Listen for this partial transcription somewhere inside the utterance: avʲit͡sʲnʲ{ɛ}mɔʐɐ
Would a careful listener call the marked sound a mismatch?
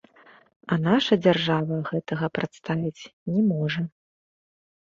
no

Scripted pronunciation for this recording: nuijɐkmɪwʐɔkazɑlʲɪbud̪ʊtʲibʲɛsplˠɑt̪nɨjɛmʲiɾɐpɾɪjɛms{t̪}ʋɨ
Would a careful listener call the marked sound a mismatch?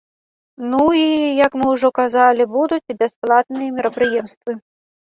no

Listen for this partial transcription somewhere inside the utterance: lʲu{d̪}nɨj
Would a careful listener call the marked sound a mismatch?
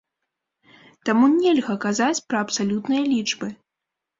yes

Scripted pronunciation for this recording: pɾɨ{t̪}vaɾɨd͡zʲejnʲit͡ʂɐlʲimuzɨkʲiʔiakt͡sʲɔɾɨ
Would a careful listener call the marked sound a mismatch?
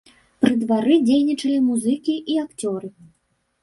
yes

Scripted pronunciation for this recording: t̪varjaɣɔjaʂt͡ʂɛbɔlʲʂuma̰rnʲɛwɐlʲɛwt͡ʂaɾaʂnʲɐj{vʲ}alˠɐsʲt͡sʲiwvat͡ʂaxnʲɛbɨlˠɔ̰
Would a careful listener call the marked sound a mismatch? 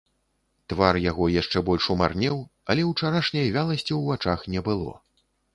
no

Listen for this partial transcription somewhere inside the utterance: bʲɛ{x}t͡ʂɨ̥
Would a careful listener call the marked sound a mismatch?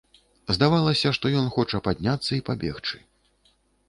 no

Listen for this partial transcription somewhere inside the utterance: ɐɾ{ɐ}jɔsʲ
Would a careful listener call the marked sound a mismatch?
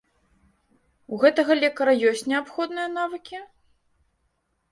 no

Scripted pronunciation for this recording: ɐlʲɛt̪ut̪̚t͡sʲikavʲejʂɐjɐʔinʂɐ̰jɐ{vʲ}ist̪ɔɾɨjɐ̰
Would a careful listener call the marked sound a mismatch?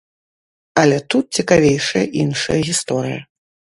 yes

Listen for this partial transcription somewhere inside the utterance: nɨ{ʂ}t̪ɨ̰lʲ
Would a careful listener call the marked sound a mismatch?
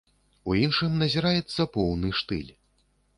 no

